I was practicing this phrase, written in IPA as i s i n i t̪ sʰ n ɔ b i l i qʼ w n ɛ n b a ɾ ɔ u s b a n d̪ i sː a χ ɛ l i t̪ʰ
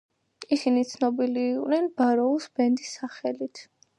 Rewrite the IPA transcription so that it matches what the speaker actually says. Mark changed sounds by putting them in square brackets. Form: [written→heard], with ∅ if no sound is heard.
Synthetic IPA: i s i n i t̪ sʰ n ɔ b i l [i→iː] qʼ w n ɛ n b a ɾ ɔ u s b [a→ɛ] n d̪ i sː a χ ɛ l i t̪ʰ